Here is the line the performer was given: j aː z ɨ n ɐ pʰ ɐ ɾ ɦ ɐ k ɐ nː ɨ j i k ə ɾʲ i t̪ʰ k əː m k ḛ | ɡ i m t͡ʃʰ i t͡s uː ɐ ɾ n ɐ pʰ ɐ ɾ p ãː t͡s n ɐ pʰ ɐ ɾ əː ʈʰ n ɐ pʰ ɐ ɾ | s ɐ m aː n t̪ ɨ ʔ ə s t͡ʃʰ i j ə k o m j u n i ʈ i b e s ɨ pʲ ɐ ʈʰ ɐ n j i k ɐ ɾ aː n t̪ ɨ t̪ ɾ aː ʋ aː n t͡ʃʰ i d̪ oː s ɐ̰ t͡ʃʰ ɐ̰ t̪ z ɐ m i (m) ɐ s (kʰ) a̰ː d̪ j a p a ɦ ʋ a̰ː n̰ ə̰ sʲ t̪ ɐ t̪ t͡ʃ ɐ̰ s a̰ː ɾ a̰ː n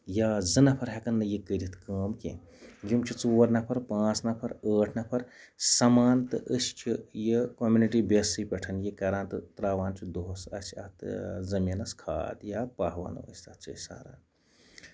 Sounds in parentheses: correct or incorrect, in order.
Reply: incorrect, correct

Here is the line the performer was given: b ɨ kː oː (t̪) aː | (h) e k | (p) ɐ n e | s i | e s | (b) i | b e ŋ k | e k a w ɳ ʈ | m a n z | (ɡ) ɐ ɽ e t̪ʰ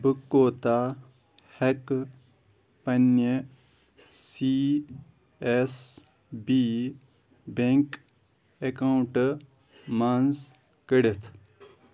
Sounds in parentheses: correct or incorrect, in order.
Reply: correct, correct, correct, correct, incorrect

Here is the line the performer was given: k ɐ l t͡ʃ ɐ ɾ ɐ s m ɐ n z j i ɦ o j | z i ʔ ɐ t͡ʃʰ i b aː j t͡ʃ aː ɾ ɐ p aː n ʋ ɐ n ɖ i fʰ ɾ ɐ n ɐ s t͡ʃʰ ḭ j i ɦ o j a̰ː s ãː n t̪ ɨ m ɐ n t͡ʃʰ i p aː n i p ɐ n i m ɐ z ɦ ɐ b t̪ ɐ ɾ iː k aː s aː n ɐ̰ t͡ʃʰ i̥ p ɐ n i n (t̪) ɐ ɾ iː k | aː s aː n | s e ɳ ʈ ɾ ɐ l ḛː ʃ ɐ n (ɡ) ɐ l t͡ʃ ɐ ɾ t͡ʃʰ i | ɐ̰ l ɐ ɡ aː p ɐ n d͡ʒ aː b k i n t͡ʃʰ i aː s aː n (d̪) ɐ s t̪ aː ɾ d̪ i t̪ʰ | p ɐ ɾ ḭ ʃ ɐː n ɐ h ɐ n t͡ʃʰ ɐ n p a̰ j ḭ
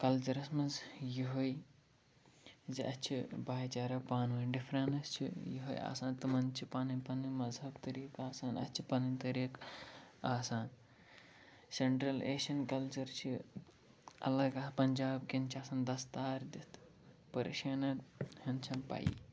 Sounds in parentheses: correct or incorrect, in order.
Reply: correct, incorrect, correct

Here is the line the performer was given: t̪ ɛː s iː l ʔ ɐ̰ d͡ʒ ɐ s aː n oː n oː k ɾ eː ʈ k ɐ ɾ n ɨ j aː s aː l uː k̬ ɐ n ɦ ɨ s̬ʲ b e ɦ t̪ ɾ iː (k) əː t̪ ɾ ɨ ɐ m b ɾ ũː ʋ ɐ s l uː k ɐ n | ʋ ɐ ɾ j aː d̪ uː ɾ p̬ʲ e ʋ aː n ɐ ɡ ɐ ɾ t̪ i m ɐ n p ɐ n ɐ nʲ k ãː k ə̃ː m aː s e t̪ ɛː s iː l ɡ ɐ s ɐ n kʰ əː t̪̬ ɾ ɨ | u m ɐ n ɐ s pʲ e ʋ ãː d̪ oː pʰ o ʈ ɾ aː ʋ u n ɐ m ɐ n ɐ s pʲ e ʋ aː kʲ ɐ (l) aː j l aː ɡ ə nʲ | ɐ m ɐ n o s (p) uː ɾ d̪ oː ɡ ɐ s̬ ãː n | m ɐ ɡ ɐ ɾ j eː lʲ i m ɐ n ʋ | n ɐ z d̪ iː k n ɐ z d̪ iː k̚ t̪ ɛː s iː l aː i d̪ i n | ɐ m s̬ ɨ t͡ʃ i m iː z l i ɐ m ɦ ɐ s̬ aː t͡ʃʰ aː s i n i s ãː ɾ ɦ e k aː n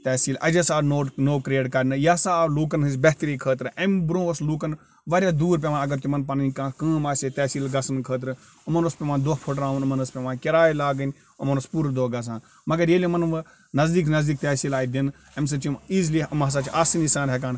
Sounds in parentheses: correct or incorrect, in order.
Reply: incorrect, incorrect, correct

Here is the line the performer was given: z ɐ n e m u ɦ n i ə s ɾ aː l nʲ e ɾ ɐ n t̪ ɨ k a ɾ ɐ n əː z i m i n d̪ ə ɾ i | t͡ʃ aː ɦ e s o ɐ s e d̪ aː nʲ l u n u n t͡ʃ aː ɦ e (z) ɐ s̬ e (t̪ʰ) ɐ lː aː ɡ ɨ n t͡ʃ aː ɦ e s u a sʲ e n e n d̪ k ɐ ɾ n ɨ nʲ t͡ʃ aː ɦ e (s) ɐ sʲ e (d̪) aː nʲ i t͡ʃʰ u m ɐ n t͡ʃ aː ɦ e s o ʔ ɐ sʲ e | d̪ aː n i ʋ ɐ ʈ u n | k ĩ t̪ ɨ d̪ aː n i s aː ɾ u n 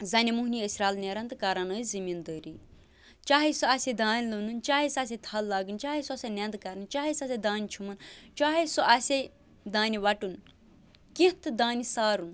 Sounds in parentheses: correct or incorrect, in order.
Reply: incorrect, correct, correct, correct

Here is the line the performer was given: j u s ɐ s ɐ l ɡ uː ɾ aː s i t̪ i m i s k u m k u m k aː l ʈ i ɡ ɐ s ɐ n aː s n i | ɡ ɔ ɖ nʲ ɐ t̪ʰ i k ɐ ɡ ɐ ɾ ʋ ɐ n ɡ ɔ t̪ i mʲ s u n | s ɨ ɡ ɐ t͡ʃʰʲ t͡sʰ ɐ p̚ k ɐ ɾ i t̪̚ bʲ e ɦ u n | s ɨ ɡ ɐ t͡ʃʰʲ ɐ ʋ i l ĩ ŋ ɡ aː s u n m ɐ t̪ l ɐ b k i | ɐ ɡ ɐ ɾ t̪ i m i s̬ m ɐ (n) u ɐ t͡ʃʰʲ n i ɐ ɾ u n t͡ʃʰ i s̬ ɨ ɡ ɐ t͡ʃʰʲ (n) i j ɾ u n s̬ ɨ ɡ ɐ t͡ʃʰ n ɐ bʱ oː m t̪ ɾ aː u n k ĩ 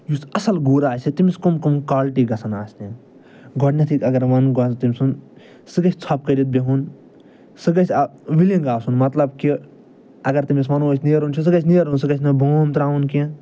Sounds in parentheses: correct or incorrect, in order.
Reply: correct, correct

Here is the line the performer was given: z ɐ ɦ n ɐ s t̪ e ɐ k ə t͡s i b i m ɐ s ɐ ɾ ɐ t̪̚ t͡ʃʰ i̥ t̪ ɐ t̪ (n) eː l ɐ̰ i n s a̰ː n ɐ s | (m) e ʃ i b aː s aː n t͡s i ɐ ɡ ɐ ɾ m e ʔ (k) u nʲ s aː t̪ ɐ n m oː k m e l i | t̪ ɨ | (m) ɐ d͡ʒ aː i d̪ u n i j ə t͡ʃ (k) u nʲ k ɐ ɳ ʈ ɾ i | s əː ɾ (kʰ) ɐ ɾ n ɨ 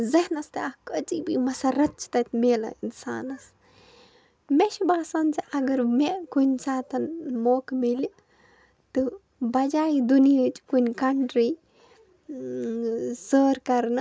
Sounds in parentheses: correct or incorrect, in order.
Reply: incorrect, correct, correct, incorrect, correct, incorrect

